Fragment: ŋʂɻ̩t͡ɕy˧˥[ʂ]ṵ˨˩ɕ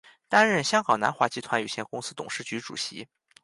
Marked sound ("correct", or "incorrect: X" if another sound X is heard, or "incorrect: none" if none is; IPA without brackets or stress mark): incorrect: ʈ͡ʂ